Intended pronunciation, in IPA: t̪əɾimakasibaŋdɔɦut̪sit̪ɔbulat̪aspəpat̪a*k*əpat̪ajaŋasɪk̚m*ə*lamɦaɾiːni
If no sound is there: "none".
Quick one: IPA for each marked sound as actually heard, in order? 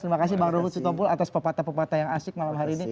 p, a

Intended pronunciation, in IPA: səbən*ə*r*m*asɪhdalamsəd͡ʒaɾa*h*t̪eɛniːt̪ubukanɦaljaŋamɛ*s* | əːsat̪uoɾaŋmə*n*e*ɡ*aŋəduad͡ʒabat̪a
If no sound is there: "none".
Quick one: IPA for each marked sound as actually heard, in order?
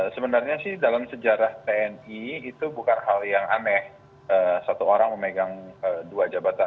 a, ɲ, h, h, m, ɡ

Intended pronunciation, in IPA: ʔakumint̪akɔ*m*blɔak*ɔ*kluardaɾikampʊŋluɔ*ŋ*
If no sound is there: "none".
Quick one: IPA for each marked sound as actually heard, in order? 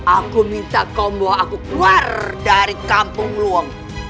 m, u, ŋ

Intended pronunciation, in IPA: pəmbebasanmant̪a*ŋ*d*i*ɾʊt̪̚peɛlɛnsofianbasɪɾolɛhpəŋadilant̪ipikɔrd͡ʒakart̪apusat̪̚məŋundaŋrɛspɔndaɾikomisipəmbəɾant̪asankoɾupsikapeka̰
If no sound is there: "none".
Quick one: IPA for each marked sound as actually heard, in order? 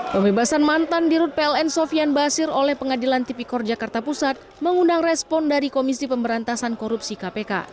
n, i

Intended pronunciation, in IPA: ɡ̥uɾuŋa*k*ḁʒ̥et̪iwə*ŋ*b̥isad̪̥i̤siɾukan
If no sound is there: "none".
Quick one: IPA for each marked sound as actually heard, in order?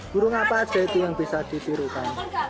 p, ŋ

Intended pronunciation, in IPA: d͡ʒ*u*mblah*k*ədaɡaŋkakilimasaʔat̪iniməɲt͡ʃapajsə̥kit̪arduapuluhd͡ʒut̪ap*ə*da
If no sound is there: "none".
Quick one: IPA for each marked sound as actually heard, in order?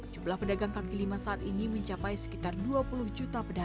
u, p, ə

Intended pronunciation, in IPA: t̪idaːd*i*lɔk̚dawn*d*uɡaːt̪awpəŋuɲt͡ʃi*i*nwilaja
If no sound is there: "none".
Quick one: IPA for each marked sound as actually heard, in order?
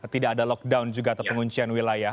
a, d͡ʒ, a

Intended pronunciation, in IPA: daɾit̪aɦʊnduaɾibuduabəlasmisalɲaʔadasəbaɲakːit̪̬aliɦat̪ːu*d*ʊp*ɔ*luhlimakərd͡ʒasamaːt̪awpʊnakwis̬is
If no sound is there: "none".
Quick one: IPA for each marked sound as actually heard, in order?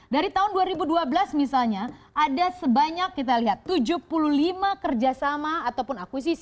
d͡ʒ, u

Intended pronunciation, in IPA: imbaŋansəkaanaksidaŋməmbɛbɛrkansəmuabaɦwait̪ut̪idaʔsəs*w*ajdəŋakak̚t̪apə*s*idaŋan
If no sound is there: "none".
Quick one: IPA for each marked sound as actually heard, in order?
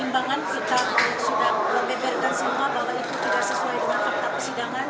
u, s

